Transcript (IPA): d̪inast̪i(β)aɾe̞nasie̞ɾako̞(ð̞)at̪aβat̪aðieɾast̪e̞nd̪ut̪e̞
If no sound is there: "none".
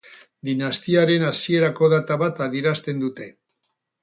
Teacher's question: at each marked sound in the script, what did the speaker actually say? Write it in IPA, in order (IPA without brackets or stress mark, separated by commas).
none, ð̞